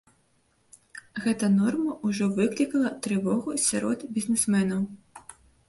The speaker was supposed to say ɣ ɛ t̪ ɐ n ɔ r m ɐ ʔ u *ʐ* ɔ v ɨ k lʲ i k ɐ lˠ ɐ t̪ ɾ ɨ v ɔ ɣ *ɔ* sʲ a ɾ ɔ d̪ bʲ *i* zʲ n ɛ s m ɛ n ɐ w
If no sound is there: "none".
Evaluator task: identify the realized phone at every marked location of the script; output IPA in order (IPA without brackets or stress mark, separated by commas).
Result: ʐ, u, i